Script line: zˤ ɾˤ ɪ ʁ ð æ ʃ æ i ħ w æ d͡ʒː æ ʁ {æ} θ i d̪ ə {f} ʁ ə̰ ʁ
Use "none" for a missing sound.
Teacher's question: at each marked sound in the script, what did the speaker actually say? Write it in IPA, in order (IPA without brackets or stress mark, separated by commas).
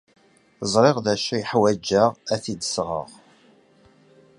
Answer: æ, s